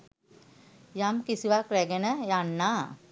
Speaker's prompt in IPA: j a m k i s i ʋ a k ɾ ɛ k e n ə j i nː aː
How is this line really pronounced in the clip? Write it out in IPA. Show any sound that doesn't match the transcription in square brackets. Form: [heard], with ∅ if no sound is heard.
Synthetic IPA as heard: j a m k i s i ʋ a k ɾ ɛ [ɡ] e n ə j [a] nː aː

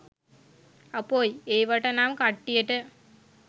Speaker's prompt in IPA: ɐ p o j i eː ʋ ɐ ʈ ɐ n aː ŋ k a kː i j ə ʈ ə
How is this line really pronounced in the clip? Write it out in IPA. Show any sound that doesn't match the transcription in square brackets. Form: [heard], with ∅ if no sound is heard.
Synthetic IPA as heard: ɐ p o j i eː ʋ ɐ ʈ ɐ n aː [m] k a [ʈː] i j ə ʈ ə

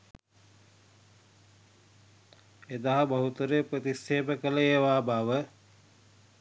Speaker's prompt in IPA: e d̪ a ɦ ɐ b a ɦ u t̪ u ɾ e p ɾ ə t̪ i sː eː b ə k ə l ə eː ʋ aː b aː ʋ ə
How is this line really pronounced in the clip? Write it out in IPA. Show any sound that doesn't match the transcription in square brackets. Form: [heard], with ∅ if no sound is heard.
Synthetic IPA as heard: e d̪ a ɦ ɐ b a ɦ u t̪ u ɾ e p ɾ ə t̪ i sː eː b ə k ə l ə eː ʋ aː b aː ʋ ə

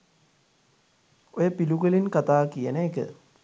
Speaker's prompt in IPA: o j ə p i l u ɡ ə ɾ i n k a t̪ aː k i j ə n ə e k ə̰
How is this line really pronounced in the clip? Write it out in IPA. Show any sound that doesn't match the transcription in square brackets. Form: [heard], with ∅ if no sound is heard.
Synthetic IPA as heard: o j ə p i l u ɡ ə [l] i n k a t̪ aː k i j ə n ə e k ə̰

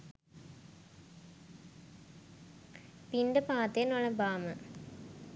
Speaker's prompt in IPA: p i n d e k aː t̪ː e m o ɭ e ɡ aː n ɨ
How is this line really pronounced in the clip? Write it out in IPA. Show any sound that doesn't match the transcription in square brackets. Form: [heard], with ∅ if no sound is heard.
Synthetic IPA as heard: p i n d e [p] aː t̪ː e [n] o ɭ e [b] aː [m] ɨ

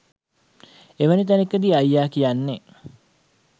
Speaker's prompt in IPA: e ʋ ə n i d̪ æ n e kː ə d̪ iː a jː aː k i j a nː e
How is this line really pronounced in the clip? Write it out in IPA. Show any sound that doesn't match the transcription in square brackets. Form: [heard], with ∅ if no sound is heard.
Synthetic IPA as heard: e ʋ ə n i [t̪] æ n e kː ə d̪ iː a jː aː k i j a nː e

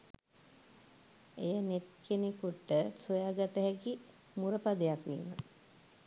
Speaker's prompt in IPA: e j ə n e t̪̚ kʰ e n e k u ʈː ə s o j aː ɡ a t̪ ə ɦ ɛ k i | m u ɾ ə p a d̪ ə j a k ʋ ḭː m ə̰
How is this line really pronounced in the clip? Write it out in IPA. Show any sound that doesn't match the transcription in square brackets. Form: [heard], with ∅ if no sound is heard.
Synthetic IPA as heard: e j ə n e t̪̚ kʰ e n e k u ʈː ə s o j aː ɡ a t̪ ə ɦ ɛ k i | m u ɾ ə p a d̪ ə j a k ʋ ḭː m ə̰

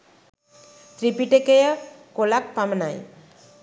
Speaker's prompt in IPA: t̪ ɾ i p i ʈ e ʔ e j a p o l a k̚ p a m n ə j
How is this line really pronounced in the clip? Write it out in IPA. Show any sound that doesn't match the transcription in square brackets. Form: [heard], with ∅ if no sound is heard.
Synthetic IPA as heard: t̪ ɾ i p i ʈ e [k] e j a [k] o l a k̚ p a m n [a] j

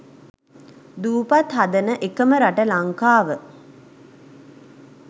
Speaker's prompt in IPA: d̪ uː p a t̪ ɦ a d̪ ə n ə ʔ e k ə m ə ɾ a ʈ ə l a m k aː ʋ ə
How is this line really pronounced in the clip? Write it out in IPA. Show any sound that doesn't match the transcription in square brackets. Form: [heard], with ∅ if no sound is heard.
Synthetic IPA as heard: d̪ uː p a t̪ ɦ a d̪ ə n ə ʔ e k ə m ə ɾ a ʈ ə l a [ŋ] k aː ʋ ə

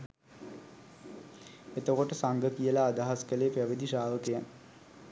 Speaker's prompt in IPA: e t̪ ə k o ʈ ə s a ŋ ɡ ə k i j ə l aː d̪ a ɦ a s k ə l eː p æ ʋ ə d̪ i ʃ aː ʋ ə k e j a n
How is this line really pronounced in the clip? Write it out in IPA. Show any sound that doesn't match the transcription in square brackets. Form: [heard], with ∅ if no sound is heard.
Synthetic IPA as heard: e t̪ ə k o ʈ ə s a ŋ ɡ ə k i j ə l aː d̪ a ɦ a s k ə l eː p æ ʋ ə d̪ i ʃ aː ʋ ə k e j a n

